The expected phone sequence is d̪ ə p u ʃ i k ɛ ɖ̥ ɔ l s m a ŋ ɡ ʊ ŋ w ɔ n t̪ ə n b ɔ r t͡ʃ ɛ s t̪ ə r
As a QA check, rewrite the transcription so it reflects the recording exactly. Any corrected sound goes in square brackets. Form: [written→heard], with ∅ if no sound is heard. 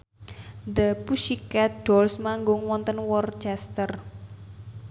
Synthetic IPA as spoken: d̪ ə p u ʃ i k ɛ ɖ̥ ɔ l s m a ŋ ɡ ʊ ŋ w ɔ n t̪ ə n [b→w] ɔ r t͡ʃ ɛ s t̪ ə r